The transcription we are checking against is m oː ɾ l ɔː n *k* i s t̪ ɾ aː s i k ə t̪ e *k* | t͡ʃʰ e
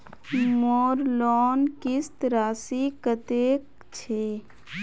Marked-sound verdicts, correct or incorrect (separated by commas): correct, correct